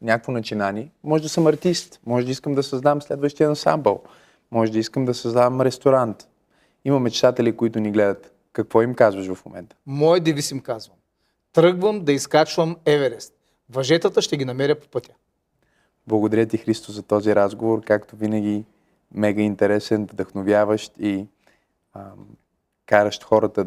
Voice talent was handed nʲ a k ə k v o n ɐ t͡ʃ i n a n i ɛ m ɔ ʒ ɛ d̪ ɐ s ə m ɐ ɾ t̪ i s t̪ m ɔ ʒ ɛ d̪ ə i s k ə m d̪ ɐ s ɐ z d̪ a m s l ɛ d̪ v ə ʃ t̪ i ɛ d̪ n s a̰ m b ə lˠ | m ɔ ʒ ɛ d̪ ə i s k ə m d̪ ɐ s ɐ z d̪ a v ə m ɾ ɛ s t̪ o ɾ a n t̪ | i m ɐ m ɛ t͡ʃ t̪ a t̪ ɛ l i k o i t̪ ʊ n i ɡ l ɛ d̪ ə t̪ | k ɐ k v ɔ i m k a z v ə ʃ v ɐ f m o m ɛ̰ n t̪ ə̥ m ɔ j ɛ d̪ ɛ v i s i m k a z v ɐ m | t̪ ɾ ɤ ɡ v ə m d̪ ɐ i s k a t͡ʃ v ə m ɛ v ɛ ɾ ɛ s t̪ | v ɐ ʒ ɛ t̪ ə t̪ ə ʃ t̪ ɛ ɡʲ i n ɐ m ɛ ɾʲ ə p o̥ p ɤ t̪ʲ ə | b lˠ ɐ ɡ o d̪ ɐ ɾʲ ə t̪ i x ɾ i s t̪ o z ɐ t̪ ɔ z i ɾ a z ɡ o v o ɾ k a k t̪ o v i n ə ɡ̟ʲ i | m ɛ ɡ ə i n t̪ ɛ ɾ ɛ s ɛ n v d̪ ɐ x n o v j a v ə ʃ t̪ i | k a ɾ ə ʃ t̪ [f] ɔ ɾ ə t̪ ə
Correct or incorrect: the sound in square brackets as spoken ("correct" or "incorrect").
incorrect